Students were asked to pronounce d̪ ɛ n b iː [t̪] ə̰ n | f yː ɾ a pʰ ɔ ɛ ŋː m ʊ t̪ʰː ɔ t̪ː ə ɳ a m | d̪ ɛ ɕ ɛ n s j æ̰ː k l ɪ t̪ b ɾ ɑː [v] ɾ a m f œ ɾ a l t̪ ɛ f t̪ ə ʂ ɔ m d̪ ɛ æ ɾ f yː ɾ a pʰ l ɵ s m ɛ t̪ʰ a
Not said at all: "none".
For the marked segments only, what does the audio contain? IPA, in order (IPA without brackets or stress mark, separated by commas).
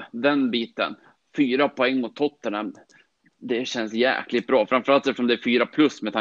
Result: t̪, f